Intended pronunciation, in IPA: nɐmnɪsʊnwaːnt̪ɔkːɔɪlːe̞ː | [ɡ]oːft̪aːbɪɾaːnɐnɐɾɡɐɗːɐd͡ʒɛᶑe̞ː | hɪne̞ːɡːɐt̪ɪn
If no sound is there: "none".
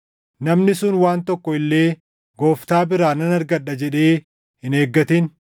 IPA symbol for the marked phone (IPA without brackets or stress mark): ɡ